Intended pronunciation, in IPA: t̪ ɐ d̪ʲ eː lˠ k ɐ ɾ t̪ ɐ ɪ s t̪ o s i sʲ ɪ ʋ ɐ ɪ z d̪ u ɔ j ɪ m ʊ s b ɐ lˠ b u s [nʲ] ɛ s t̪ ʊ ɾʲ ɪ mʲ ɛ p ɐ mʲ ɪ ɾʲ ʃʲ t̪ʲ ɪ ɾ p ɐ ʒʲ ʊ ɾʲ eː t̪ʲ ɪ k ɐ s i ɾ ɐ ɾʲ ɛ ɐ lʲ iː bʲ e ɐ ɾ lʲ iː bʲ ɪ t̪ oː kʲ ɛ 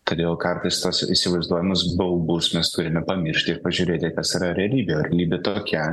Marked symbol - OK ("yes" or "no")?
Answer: no